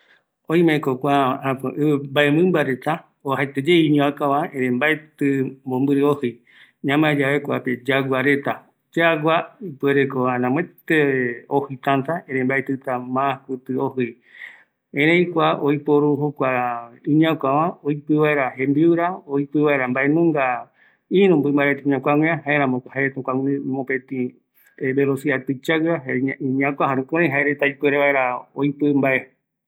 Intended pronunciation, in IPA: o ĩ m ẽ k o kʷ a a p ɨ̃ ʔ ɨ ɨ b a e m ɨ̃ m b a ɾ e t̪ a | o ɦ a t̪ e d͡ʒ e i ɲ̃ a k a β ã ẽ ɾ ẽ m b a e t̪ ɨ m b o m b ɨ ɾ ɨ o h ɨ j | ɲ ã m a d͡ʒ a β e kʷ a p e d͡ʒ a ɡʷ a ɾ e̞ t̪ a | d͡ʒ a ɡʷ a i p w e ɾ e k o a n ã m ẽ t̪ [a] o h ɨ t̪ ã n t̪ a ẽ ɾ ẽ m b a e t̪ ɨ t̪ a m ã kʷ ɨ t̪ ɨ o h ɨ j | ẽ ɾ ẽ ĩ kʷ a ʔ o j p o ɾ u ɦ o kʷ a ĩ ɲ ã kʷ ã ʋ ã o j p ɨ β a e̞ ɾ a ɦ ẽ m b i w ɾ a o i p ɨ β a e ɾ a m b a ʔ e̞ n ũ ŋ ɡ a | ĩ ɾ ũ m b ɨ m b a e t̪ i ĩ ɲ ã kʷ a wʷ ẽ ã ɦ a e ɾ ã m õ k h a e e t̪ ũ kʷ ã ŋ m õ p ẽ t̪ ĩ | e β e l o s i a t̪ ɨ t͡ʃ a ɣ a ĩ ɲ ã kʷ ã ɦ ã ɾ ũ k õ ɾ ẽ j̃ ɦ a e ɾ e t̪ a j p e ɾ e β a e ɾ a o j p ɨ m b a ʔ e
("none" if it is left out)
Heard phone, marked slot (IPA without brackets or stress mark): e